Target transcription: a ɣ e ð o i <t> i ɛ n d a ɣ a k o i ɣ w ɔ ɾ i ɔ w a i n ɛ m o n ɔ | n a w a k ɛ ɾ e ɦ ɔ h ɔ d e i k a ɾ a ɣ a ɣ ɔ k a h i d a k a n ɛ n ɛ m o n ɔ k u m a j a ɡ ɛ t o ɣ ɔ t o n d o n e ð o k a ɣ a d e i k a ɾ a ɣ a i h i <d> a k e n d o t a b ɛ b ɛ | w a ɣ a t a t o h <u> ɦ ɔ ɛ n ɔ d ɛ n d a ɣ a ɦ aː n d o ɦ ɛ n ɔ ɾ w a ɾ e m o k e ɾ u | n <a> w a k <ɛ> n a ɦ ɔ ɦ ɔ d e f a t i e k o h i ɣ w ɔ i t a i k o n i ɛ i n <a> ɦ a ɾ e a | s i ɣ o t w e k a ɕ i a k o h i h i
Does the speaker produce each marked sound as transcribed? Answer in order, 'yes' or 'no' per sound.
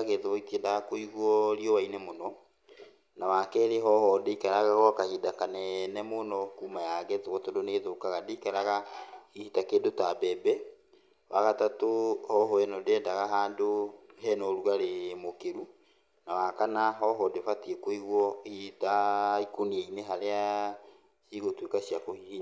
yes, no, no, yes, no, no

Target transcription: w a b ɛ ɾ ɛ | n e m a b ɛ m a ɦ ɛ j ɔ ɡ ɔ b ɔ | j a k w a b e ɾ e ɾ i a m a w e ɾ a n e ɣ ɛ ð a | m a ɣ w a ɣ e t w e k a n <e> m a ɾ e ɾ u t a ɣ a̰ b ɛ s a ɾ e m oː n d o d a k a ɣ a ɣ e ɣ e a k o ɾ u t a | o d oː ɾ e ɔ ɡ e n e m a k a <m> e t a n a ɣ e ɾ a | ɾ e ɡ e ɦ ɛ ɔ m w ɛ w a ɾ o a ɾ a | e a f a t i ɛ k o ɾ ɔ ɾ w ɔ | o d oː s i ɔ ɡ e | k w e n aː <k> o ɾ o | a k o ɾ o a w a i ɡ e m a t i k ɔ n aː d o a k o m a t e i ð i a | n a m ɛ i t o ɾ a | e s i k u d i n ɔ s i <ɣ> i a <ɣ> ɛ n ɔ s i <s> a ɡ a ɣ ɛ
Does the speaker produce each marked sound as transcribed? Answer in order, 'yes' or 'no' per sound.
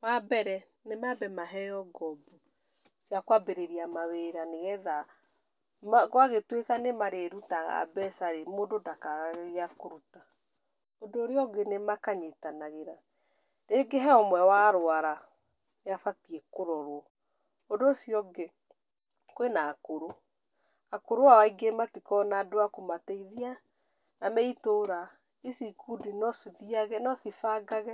yes, no, yes, no, yes, no

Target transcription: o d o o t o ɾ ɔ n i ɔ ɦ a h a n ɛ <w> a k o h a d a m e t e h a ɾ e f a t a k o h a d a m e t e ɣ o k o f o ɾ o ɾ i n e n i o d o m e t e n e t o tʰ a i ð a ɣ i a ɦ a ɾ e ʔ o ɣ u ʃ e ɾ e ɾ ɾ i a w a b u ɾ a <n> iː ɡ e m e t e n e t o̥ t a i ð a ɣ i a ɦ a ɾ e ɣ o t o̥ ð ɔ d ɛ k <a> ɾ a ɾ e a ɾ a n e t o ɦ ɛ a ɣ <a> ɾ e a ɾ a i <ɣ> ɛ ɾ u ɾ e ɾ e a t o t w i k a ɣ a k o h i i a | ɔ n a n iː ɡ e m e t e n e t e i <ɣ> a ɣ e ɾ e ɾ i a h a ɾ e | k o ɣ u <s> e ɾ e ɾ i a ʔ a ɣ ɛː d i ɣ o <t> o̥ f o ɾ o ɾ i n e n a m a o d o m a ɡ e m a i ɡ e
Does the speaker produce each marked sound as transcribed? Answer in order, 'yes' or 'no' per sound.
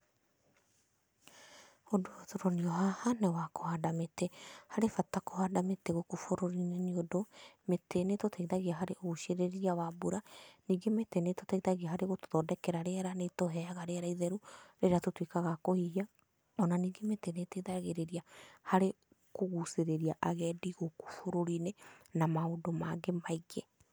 yes, yes, no, yes, no, no, yes, no

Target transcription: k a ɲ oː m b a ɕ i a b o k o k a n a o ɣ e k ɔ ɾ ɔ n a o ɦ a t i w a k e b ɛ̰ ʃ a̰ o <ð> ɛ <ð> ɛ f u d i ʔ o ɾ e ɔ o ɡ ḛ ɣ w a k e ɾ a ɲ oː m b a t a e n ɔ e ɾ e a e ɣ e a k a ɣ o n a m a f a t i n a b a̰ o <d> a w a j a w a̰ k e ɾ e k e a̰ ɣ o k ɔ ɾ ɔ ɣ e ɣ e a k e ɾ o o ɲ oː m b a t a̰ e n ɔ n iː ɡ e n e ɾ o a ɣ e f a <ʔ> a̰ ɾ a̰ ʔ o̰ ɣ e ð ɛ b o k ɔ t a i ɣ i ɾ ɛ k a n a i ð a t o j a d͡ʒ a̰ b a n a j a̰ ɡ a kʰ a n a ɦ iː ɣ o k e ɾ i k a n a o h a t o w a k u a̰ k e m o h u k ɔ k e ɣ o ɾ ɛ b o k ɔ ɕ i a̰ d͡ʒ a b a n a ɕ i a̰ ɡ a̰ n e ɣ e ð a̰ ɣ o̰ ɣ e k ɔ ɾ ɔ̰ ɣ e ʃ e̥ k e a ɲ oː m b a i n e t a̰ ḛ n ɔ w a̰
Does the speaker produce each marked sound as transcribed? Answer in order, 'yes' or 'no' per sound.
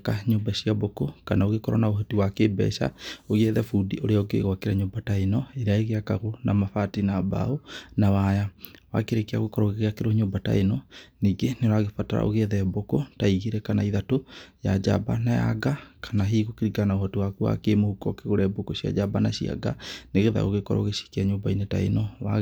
no, yes, no, no

